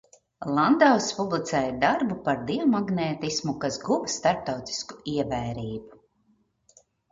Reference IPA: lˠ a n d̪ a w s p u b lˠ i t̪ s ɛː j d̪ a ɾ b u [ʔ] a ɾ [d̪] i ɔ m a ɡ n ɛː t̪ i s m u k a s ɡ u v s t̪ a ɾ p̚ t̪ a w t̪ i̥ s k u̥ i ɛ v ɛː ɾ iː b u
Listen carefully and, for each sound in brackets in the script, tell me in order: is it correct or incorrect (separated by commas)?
incorrect, correct